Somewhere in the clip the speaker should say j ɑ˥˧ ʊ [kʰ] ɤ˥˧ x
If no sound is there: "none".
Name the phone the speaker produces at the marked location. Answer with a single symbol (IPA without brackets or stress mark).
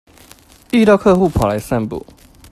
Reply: kʰ